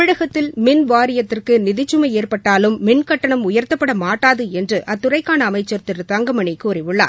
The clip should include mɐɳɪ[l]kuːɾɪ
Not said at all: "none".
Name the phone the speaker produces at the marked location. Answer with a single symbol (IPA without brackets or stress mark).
none